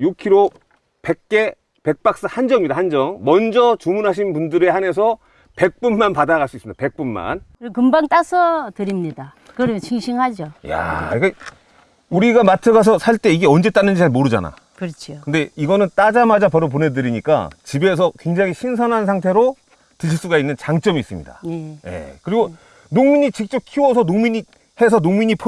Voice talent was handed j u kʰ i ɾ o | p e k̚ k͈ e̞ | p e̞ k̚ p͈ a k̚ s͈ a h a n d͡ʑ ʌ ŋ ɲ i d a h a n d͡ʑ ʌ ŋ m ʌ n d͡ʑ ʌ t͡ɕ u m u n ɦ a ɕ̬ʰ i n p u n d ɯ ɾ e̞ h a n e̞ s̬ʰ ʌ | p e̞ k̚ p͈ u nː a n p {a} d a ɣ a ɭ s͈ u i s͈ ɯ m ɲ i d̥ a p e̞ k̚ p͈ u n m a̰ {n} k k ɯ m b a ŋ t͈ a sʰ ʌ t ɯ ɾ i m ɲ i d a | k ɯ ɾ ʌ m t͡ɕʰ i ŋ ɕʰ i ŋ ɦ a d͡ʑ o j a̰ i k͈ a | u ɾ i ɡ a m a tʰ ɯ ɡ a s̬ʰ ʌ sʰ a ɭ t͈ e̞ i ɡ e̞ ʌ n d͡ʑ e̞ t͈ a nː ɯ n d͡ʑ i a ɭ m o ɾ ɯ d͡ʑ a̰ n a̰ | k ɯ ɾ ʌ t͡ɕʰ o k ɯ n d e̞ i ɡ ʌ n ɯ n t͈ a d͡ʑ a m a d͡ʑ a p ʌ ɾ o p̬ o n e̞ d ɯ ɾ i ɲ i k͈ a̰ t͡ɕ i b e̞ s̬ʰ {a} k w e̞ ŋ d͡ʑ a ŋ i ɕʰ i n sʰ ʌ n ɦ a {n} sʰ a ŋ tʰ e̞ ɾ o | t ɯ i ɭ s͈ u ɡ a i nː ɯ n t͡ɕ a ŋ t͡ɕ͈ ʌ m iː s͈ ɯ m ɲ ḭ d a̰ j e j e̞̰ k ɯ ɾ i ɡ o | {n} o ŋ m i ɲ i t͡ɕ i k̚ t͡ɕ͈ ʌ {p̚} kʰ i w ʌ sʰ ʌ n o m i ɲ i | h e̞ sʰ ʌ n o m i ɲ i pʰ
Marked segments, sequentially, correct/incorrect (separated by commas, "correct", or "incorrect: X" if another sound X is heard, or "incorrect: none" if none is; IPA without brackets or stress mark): correct, correct, incorrect: ʌ, correct, correct, correct